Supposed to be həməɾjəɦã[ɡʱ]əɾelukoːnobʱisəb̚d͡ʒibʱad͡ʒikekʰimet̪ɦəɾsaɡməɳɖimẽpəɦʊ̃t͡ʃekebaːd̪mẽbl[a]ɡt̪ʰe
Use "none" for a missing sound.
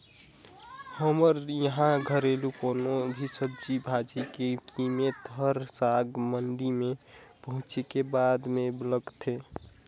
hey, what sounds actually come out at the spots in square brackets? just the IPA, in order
ɡʱ, ə

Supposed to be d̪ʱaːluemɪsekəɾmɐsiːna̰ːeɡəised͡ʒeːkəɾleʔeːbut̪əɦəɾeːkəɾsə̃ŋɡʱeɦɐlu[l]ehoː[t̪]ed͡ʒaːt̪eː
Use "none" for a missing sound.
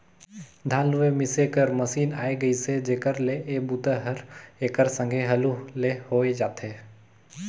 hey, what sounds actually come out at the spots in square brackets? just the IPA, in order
l, none

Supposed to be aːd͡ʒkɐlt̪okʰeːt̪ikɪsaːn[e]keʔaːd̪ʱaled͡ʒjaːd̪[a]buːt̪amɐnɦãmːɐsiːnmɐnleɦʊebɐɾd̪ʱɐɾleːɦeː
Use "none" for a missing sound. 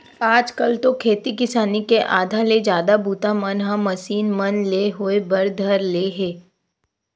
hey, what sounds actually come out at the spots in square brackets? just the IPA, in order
i, a

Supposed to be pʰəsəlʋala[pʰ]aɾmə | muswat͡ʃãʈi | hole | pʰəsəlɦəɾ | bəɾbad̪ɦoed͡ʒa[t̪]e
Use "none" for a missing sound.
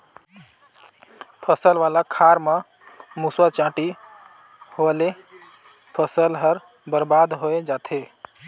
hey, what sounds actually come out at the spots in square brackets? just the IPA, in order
kʰ, t̪ʰ

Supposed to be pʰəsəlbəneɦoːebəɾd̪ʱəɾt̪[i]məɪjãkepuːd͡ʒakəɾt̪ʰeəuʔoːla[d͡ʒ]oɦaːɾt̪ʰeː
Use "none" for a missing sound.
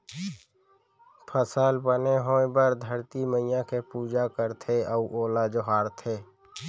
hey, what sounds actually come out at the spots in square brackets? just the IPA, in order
i, d͡ʒ

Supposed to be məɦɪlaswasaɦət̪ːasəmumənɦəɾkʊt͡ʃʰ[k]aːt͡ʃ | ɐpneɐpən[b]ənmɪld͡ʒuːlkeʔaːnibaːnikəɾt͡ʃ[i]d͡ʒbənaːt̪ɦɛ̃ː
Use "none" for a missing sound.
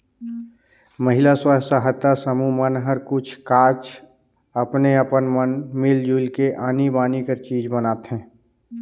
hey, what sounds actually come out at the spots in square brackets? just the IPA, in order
k, m, iː

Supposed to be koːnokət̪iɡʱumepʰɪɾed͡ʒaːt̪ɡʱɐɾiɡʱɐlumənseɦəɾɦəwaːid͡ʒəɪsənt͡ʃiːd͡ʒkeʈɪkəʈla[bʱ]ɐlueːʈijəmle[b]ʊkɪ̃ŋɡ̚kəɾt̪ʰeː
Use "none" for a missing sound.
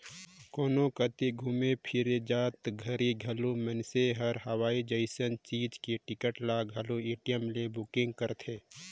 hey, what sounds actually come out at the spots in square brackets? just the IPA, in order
ɡʱ, b

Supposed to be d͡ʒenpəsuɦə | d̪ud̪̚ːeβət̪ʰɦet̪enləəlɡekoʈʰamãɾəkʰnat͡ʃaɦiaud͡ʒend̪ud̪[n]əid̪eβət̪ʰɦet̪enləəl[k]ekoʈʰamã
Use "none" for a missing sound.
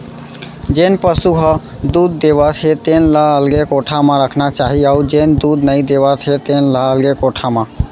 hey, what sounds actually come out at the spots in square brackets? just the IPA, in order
n, ɡ

